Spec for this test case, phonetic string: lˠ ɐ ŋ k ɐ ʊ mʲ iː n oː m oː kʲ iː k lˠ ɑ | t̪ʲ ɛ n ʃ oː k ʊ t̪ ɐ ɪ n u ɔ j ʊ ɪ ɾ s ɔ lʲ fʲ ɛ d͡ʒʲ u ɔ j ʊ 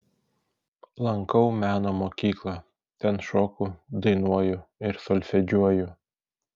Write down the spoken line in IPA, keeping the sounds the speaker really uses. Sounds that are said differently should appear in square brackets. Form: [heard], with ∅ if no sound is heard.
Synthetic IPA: lˠ ɐ ŋ k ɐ ʊ mʲ [æː] n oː m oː kʲ iː k lˠ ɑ | t̪ʲ ɛ n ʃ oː k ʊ [d̪] ɐ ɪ n u ɔ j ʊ ɪ ɾ s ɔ lʲ fʲ ɛ d͡ʒʲ u ɔ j ʊ